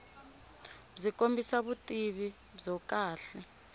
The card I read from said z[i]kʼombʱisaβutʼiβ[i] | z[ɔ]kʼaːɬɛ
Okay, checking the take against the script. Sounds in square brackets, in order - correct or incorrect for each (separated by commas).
correct, correct, correct